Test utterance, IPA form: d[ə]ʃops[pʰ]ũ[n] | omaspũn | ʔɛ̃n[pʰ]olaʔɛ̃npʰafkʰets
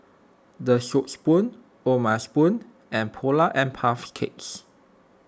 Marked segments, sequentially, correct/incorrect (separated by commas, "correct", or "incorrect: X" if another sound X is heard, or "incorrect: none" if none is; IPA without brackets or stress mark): correct, incorrect: p, correct, correct